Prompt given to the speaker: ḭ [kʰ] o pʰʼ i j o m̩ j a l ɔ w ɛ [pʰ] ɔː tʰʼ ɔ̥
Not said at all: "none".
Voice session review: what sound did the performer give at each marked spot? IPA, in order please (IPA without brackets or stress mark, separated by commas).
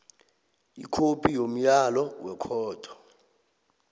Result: kʰ, kʰ